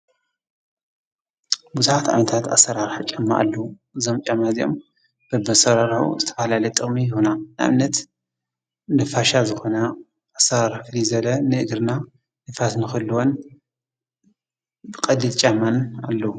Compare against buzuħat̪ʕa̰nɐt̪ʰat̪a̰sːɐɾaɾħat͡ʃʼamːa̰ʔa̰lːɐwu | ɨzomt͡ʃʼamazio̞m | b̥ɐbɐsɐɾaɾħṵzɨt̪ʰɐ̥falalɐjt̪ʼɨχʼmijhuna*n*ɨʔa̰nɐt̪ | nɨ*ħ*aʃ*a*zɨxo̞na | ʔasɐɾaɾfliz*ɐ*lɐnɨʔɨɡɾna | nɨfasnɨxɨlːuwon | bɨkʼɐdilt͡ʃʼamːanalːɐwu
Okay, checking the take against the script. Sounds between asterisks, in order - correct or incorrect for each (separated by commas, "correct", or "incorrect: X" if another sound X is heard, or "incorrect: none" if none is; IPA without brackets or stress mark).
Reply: correct, incorrect: f, correct, correct